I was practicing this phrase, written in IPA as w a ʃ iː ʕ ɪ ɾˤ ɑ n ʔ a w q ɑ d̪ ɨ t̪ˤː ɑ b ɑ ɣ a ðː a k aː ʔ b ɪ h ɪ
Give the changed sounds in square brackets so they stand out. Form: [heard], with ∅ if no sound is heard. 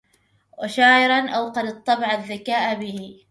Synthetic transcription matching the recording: w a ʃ [aː] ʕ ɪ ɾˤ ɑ n ʔ a w q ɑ d̪ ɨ t̪ˤː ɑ b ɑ [ʕ] a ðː a k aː ʔ b ɪ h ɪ